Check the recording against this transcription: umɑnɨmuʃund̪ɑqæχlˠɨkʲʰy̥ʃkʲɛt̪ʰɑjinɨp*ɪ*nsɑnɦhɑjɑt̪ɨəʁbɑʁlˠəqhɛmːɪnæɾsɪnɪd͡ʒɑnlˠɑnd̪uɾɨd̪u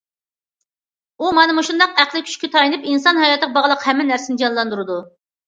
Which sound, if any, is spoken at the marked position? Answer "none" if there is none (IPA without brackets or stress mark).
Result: i